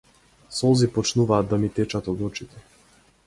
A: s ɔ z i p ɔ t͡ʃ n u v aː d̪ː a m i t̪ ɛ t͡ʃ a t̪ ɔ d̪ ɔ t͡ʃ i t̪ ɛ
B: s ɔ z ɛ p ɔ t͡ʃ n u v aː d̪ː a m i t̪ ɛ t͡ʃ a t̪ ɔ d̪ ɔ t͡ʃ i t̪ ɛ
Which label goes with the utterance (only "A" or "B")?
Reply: A